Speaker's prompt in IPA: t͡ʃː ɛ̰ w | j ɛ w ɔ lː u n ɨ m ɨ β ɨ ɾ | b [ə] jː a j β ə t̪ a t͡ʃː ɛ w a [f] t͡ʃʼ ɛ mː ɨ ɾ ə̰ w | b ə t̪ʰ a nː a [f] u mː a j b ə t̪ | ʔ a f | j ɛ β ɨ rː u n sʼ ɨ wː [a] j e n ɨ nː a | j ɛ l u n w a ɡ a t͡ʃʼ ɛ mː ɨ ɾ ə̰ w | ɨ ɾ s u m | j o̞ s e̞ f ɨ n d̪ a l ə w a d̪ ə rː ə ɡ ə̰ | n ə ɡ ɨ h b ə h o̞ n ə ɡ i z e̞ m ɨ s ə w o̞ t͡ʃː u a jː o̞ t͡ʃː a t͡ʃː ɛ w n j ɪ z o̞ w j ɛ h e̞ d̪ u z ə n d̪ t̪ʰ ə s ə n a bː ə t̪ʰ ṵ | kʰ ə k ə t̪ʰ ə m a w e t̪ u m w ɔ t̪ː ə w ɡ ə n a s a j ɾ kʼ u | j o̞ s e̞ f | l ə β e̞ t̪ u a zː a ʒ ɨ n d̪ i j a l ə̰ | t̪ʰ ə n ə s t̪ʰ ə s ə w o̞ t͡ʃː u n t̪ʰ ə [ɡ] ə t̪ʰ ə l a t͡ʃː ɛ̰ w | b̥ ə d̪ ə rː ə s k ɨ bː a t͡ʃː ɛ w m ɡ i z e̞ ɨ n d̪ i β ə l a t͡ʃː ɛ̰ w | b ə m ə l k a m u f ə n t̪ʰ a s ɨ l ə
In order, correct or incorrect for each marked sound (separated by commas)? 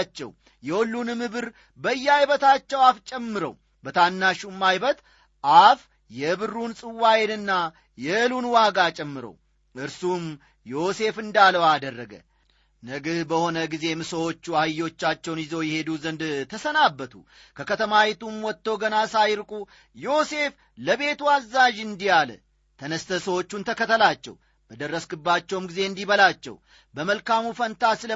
correct, correct, incorrect, correct, incorrect